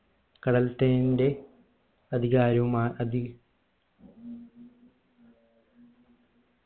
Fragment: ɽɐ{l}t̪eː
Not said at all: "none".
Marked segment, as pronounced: l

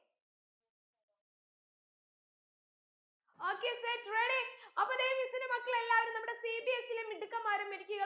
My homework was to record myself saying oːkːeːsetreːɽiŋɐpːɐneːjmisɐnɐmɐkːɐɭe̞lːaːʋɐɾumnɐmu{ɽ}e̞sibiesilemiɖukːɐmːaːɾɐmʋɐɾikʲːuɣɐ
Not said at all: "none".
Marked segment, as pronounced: ɽ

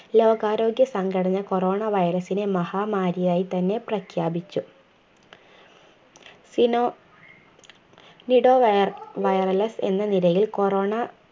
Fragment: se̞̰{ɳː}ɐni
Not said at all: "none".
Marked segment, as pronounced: nː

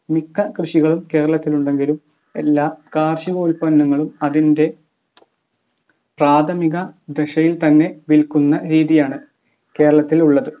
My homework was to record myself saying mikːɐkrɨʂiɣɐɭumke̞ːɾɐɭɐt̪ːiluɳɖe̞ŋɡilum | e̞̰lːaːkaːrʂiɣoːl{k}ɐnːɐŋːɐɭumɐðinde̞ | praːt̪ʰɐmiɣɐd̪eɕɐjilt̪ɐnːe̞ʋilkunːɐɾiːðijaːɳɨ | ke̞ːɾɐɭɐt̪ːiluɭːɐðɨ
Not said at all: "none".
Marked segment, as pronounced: p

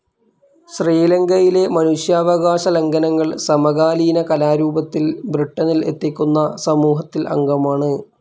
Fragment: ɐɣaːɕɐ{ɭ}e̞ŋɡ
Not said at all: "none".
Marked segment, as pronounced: l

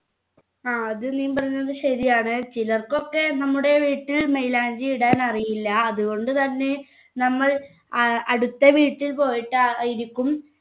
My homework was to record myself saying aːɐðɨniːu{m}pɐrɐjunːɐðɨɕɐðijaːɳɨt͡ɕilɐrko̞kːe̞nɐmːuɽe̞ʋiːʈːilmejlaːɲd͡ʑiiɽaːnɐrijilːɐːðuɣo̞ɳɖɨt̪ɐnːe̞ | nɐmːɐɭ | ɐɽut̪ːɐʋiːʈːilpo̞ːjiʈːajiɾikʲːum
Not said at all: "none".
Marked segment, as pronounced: m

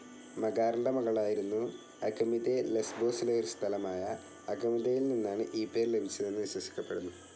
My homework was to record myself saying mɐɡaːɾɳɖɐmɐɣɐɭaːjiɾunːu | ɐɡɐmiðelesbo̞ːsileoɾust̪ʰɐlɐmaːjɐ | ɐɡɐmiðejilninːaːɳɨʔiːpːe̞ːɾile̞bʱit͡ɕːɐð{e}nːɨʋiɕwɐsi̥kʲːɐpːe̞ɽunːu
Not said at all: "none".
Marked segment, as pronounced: e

